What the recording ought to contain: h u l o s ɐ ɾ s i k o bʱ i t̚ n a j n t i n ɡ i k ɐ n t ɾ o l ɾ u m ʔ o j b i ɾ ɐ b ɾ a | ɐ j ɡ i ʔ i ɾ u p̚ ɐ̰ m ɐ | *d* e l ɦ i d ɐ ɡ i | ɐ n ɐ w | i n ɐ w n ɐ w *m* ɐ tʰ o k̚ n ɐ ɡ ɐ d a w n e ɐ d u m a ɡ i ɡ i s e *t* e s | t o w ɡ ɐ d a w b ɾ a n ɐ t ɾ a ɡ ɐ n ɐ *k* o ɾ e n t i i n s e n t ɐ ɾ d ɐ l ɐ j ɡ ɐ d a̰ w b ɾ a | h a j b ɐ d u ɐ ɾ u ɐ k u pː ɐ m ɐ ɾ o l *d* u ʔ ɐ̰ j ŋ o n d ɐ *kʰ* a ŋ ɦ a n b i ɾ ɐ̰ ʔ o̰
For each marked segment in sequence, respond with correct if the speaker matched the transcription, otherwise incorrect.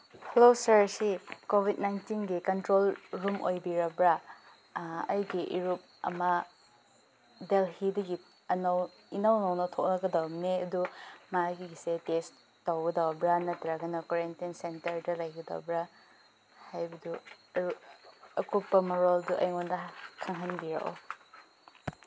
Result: correct, incorrect, correct, correct, correct, correct

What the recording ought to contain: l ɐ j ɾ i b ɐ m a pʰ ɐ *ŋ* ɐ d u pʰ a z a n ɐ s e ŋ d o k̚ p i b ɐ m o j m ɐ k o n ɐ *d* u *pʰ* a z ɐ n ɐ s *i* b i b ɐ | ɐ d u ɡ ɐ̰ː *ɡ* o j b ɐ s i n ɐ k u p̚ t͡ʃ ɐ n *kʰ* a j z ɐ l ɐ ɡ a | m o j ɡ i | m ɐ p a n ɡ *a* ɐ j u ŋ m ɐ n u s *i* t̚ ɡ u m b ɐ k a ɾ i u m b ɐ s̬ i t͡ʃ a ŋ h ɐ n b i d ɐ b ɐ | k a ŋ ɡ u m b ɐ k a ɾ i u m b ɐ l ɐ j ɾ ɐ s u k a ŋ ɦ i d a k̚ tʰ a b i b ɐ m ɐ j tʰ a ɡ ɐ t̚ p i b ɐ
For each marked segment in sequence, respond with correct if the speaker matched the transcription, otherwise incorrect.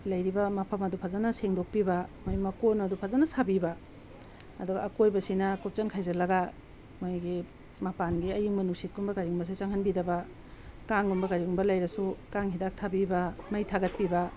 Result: incorrect, correct, correct, incorrect, incorrect, correct, incorrect, correct

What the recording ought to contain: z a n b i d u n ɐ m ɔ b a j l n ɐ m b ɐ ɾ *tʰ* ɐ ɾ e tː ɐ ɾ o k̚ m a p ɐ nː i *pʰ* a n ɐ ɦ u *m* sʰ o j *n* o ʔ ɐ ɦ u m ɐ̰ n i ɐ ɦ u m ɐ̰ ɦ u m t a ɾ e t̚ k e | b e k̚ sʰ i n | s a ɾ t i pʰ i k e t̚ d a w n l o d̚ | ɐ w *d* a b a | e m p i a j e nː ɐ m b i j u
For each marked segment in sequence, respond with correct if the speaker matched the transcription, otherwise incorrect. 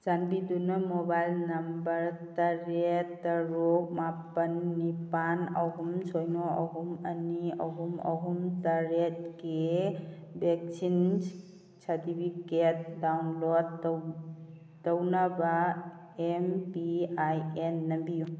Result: incorrect, incorrect, correct, correct, incorrect

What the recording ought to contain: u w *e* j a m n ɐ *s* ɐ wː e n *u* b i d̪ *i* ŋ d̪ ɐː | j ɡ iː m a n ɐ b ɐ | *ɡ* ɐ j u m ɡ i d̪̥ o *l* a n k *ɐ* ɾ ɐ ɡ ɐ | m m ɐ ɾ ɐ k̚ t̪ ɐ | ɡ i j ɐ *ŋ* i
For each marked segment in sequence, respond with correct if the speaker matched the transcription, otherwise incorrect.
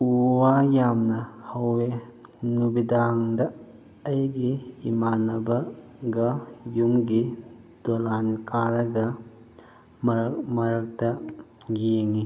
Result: incorrect, incorrect, correct, incorrect, correct, correct, incorrect, correct

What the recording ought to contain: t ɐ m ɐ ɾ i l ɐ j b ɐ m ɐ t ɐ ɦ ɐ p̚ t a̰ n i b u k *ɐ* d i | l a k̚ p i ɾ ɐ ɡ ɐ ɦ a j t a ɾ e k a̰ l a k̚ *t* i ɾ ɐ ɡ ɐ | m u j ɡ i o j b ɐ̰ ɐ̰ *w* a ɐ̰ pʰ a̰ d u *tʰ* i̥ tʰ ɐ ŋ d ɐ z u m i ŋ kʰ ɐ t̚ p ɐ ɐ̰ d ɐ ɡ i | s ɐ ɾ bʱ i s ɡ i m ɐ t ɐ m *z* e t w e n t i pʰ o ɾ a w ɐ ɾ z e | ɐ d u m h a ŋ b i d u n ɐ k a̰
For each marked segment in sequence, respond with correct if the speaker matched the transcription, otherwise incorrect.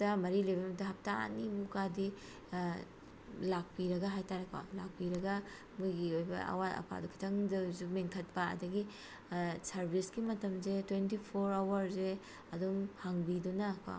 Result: incorrect, incorrect, correct, incorrect, correct

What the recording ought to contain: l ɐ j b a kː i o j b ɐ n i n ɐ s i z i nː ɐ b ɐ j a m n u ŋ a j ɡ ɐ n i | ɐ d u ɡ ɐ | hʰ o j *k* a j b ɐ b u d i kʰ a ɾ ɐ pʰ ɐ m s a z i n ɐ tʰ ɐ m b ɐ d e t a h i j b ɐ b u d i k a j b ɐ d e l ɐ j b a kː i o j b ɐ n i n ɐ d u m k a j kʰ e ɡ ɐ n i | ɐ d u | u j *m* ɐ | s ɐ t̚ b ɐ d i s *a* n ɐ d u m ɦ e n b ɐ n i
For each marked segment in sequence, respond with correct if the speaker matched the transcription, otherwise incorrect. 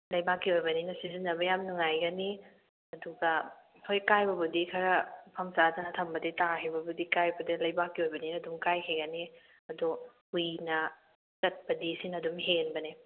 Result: correct, incorrect, incorrect

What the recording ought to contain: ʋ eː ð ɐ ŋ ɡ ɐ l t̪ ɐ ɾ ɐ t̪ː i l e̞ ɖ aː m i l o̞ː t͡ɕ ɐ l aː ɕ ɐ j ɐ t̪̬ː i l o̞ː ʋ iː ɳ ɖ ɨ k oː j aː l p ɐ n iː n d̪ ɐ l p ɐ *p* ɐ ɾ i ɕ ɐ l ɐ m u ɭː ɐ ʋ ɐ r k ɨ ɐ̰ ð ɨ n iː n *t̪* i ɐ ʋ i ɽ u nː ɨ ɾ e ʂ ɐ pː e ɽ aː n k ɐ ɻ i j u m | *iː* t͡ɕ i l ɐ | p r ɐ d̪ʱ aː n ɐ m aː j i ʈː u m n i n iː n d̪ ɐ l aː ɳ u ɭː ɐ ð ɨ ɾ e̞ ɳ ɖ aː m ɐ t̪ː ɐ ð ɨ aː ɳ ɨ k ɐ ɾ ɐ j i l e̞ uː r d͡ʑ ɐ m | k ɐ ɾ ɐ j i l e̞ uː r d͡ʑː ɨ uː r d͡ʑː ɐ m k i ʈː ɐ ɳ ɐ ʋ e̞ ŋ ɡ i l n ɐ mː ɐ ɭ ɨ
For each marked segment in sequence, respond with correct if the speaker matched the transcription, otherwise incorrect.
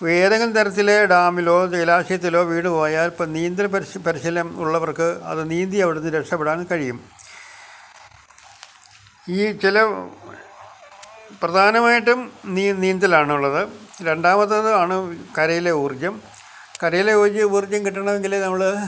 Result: correct, incorrect, correct

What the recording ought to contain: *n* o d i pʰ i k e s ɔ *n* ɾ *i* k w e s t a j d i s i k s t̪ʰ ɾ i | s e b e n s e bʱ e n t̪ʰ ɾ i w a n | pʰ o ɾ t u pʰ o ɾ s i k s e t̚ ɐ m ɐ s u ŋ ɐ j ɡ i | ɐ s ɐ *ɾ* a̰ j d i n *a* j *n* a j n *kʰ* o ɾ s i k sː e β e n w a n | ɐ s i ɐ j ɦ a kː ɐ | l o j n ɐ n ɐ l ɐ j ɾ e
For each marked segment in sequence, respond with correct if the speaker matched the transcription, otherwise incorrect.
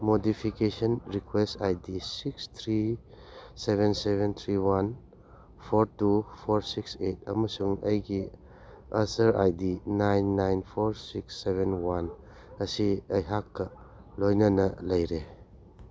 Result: incorrect, correct, correct, correct, correct, incorrect, incorrect

